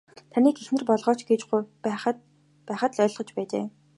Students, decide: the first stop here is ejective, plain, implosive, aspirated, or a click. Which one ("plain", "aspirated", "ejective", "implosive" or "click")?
aspirated